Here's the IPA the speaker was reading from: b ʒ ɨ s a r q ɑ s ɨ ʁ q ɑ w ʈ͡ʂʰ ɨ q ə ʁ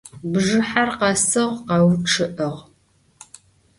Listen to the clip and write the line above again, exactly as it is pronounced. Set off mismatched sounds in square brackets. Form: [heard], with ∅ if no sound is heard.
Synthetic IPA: b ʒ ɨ [ħ] a r q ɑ s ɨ ʁ q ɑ w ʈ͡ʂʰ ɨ [ʔ] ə ʁ